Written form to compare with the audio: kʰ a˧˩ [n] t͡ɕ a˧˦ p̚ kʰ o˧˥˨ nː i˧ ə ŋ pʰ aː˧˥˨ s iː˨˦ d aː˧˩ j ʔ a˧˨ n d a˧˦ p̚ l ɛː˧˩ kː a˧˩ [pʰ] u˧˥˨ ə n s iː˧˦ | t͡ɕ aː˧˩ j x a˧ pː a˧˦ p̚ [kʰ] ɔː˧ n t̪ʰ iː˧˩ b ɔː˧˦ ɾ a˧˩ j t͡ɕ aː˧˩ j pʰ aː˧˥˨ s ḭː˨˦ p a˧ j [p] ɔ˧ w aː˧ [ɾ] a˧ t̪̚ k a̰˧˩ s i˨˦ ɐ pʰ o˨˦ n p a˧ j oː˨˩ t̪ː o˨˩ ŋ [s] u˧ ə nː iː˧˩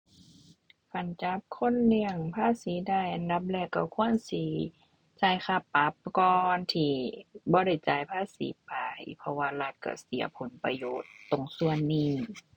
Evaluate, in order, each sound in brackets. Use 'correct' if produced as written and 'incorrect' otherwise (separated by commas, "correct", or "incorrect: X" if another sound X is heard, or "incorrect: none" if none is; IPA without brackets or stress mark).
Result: correct, incorrect: kʰ, incorrect: k, incorrect: pʰ, incorrect: l, correct